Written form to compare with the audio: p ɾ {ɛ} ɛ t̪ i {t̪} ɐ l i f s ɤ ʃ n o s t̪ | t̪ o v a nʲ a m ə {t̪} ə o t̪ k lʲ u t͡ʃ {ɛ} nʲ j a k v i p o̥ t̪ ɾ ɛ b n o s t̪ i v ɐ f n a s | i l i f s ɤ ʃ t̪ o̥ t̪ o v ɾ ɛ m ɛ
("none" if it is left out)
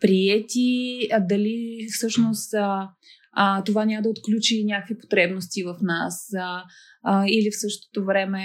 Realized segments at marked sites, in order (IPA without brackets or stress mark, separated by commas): i, d̪, d̪, i